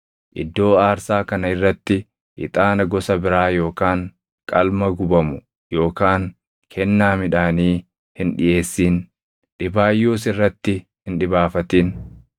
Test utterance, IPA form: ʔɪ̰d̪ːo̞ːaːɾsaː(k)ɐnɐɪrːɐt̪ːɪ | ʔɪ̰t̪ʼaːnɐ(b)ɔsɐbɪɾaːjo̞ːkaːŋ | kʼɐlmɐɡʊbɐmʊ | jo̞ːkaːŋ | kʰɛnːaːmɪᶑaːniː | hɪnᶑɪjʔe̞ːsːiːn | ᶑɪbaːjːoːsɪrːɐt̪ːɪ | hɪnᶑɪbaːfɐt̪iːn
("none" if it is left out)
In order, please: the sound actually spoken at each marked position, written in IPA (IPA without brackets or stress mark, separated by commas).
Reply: k, ɡ